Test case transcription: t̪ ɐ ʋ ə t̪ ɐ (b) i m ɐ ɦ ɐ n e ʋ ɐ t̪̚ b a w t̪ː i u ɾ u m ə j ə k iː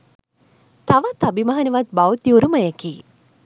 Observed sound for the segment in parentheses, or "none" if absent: b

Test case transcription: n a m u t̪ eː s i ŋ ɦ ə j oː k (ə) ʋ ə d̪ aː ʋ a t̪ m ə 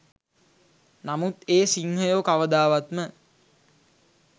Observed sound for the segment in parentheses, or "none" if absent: a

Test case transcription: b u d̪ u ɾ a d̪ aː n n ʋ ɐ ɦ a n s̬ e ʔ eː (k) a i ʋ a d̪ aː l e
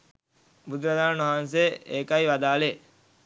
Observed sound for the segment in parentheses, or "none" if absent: k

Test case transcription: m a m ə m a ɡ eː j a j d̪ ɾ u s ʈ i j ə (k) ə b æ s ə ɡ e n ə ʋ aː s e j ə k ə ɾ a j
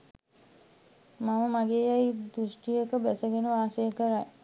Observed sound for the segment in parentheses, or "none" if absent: k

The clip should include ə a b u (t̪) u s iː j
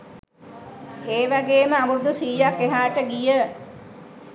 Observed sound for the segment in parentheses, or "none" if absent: d̪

